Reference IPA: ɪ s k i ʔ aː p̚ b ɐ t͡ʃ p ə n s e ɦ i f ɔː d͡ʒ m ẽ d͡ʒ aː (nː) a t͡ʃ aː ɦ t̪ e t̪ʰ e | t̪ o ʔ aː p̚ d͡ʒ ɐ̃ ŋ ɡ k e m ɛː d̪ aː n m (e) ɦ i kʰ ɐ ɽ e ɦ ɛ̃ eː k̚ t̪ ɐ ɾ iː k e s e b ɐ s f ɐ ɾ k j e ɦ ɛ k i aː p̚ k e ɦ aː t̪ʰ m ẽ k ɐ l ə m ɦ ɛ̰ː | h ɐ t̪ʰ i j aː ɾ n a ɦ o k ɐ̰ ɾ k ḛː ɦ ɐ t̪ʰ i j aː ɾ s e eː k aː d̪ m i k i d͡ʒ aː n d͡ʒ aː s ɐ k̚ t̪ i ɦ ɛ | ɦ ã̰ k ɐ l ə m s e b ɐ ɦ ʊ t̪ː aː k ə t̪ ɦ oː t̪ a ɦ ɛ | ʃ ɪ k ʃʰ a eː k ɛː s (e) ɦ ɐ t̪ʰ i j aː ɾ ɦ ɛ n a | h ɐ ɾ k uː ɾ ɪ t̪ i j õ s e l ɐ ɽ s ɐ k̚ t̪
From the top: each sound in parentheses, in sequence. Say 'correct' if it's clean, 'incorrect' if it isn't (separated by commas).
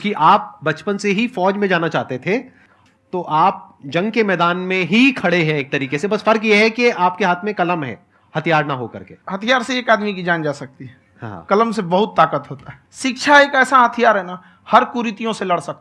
incorrect, incorrect, incorrect